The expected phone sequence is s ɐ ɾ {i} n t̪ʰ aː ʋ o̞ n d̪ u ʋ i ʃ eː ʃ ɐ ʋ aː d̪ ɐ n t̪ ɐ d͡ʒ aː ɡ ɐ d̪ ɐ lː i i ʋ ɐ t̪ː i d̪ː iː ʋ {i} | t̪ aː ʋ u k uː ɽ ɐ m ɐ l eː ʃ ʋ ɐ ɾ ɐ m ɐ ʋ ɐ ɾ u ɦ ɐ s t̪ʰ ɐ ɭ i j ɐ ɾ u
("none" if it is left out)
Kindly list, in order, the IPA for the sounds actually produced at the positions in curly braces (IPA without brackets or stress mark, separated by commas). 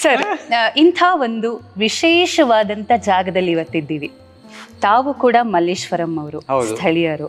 i, i